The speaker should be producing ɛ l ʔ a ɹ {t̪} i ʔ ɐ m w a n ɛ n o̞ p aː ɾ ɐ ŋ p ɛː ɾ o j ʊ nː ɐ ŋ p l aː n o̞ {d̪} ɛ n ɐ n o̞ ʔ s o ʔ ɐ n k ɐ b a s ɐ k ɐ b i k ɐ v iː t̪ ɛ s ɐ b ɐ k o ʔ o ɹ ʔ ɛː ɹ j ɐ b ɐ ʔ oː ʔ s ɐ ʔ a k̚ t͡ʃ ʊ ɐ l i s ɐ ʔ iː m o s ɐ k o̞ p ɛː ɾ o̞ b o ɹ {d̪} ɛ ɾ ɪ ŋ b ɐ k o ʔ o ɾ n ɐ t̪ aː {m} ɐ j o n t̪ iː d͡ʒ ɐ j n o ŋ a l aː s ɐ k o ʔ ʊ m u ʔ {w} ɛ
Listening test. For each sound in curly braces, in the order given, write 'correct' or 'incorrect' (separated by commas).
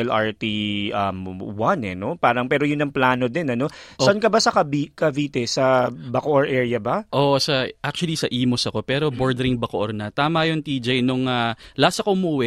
correct, correct, correct, correct, correct